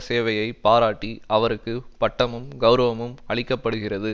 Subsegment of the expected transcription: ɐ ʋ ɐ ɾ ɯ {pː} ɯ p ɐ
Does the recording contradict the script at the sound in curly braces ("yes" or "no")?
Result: yes